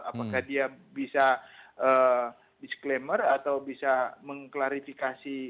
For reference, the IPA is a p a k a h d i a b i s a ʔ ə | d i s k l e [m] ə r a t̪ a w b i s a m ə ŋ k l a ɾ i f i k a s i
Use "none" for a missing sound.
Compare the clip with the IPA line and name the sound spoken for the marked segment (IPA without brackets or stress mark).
m